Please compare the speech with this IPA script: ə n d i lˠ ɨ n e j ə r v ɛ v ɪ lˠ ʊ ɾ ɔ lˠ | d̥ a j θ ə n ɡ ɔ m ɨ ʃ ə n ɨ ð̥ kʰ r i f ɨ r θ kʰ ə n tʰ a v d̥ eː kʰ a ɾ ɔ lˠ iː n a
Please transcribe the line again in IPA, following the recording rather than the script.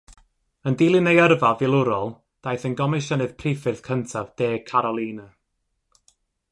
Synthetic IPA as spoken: ə n d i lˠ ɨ n e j ə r v a v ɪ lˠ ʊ ɾ ɔ lˠ | d̥ a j θ ə n ɡ ɔ m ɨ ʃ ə n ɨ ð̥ pʰ r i f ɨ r θ kʰ ə n tʰ a v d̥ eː kʰ a ɾ ɔ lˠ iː n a

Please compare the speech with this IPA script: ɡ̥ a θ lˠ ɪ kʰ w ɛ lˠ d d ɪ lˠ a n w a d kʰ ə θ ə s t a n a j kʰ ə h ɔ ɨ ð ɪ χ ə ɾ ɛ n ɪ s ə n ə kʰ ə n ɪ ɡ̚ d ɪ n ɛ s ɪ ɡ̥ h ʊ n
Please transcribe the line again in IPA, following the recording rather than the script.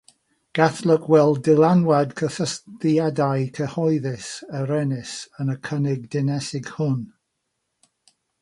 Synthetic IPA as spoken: ɡ̥ a θ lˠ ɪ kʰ w ɛ lˠ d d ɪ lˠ a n w a d kʰ ə θ ə s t a d a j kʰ ə h ɔ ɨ ð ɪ s ə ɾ ɛ n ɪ s ə n ə kʰ ə n ɪ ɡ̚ d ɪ n ɛ s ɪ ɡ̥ h ʊ n

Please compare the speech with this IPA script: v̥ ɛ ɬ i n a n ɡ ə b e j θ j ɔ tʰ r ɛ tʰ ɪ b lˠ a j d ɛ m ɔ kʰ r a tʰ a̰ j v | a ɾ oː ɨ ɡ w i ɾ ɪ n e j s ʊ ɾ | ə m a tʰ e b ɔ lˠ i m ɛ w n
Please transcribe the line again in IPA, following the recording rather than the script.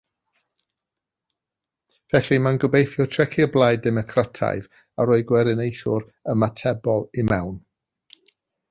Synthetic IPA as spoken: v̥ ɛ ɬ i m a n ɡ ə b e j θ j ɔ tʰ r ɛ kʰ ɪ b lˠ a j d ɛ m ɔ kʰ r a tʰ a̰ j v | a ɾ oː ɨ ɡ w ɛ ɾ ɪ n e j θ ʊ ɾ | ə m a tʰ ɛ b ɔ lˠ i m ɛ w n

